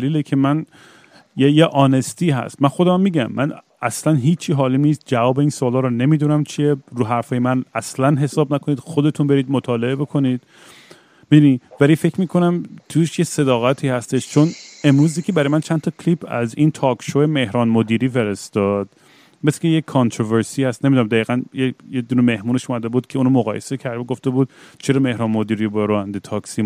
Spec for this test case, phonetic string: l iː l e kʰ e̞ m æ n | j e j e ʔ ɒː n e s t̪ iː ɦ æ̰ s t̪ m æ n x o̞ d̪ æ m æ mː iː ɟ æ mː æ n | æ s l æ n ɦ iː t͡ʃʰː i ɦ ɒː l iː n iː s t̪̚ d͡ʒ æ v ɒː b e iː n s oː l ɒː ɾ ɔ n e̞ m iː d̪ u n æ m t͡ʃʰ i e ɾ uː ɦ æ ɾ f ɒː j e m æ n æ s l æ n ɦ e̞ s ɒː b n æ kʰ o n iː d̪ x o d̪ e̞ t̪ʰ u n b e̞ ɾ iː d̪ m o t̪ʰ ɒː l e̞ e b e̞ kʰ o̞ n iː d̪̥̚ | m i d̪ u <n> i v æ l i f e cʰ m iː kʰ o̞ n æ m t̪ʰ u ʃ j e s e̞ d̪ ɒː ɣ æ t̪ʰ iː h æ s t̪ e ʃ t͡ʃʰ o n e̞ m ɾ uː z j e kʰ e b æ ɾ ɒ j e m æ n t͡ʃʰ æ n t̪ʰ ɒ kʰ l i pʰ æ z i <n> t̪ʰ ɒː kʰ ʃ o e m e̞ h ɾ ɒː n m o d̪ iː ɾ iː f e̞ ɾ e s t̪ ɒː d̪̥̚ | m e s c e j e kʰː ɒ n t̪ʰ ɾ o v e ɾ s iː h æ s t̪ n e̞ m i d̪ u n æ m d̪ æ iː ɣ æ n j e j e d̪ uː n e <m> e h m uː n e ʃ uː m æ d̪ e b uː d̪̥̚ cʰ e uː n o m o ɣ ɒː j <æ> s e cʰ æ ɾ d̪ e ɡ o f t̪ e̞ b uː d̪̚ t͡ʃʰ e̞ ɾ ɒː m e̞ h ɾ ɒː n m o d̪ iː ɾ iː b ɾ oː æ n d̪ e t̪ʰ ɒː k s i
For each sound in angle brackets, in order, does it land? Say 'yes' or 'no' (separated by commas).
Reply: yes, yes, yes, no